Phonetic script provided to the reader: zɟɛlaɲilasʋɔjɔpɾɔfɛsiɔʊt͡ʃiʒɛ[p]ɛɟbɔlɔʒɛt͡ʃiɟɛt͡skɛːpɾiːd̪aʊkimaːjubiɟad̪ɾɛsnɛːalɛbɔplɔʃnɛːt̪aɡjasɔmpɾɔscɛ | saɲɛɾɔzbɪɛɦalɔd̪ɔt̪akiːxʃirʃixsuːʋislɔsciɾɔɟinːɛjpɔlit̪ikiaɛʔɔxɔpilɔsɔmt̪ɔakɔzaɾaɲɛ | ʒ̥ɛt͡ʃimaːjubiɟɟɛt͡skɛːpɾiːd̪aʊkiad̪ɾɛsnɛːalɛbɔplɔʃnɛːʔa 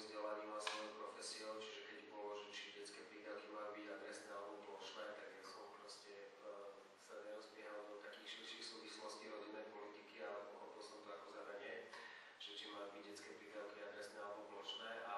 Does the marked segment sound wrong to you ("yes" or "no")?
yes